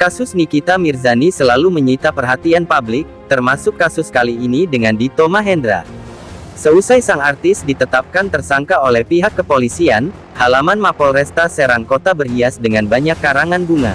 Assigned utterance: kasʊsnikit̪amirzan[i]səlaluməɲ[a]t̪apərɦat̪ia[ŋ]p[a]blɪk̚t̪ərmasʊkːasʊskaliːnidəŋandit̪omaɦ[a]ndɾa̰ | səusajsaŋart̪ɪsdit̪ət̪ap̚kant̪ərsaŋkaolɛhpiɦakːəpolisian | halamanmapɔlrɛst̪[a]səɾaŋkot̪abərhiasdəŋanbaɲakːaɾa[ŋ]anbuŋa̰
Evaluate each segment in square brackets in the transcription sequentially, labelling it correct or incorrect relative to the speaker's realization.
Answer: correct, incorrect: i, incorrect: n, correct, incorrect: ɛ, correct, correct

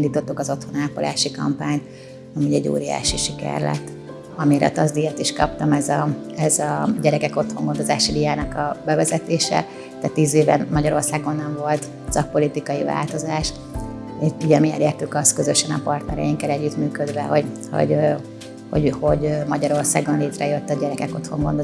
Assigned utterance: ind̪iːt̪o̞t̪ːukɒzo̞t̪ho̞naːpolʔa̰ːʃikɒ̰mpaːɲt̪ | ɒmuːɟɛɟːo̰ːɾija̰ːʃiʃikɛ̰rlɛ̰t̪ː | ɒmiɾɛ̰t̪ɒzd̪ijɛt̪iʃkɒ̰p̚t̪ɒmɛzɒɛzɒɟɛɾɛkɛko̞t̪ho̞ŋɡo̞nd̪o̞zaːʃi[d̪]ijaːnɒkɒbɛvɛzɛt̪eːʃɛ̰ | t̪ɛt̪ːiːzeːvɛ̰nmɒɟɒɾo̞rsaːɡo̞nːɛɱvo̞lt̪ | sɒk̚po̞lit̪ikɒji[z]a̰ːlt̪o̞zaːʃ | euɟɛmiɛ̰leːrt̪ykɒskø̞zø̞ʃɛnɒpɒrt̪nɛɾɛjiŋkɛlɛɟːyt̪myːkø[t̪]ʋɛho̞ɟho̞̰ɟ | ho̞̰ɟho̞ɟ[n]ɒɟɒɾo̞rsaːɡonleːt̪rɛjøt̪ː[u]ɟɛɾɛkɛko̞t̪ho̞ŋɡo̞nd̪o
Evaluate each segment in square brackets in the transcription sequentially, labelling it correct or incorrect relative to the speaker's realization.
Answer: correct, incorrect: v, incorrect: d̪, incorrect: m, incorrect: ɒ

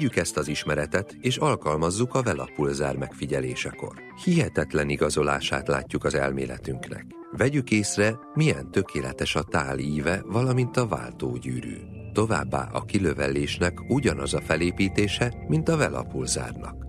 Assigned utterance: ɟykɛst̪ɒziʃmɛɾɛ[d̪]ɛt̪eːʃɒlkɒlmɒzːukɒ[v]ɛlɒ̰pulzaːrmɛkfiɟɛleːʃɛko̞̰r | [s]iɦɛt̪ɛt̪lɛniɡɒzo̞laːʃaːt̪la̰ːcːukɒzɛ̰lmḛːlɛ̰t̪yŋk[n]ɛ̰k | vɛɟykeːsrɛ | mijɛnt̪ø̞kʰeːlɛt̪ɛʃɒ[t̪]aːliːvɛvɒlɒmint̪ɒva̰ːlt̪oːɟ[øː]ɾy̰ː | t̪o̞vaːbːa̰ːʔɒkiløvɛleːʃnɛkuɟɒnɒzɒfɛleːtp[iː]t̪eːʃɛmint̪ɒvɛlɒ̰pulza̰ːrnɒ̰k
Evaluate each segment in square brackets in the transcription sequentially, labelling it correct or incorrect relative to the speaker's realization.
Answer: incorrect: t̪, correct, incorrect: h, correct, correct, incorrect: yː, correct

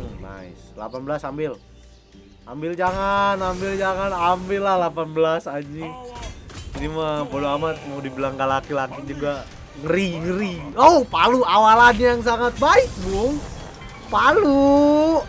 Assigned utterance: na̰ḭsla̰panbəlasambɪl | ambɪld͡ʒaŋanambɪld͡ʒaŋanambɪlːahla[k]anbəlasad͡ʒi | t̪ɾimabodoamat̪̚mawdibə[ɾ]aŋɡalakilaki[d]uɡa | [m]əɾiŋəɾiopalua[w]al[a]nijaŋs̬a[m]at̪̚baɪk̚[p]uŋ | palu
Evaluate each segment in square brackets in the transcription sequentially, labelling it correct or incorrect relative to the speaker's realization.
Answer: incorrect: p, incorrect: l, incorrect: d͡ʒ, incorrect: ŋ, correct, correct, incorrect: ŋ, incorrect: b

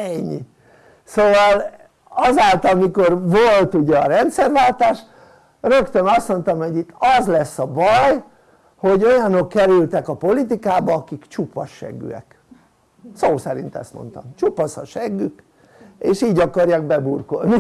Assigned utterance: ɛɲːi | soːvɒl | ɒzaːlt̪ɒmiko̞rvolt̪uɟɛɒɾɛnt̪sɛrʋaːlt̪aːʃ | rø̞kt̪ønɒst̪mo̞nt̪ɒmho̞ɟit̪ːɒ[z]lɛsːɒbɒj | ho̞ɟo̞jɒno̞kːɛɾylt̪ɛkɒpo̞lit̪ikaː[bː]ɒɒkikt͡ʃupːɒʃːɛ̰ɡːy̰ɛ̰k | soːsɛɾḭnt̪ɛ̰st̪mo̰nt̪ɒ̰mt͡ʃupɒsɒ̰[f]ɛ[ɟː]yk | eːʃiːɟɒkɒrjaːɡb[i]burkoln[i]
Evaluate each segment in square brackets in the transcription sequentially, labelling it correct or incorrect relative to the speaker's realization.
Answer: correct, incorrect: b, incorrect: ʃ, incorrect: ɡː, incorrect: ɛ, correct

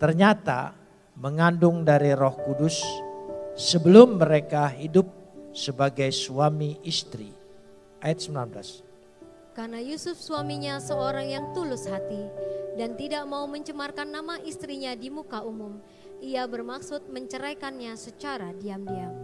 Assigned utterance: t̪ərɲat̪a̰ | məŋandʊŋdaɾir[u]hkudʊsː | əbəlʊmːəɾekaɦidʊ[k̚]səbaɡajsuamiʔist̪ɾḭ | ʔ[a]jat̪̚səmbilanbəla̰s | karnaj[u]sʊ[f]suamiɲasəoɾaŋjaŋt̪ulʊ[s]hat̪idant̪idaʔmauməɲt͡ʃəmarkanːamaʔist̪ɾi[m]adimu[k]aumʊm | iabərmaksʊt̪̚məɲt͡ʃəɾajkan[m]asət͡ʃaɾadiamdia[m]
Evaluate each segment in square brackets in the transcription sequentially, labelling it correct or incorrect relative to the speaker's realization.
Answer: incorrect: ɔ, incorrect: p̚, correct, correct, correct, correct, incorrect: ɲ, correct, incorrect: ɲ, correct

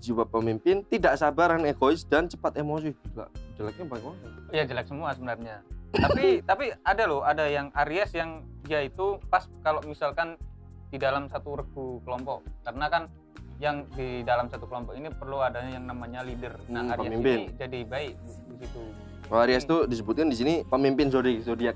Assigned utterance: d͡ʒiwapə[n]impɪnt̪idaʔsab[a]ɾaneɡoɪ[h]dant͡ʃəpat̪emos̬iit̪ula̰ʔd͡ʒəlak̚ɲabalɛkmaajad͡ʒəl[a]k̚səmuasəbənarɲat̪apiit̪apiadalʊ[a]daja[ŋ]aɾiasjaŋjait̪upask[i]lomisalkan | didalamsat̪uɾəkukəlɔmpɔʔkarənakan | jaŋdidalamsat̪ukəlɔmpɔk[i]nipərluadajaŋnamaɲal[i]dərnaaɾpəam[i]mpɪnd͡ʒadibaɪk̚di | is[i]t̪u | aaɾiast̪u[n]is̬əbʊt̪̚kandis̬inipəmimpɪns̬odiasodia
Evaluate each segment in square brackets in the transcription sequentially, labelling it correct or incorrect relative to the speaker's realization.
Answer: incorrect: m, correct, incorrect: s, correct, correct, correct, incorrect: a, correct, correct, correct, correct, incorrect: d

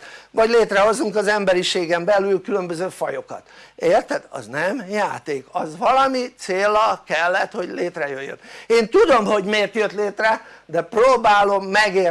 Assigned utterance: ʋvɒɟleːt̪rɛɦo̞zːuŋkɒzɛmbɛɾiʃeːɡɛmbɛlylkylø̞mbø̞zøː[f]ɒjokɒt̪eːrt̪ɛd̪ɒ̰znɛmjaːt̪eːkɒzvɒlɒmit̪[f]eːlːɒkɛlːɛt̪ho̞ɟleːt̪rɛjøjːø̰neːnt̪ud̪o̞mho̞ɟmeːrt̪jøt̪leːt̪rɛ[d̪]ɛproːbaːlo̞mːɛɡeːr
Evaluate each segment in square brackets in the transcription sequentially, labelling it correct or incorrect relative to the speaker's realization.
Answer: correct, incorrect: s, correct

